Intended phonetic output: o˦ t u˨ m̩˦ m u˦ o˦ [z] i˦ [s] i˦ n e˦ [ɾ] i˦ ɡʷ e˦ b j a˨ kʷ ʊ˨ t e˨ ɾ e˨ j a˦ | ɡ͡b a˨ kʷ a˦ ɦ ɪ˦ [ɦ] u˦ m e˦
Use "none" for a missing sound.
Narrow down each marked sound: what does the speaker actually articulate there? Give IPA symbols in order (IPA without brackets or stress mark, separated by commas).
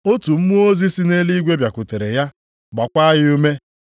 z, s, l, none